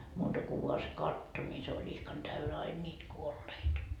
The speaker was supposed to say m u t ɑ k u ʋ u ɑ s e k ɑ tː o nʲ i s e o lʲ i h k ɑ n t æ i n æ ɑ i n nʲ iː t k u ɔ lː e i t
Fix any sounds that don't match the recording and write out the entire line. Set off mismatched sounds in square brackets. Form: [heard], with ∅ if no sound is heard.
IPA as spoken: m [uː] t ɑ k u ʋ u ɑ s e k ɑ tː o nʲ i s e o lʲ i h k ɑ n t æ [y] n æ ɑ i n nʲ iː t k u [o] lː e i t